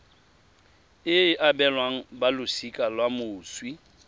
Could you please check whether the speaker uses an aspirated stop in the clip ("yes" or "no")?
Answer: no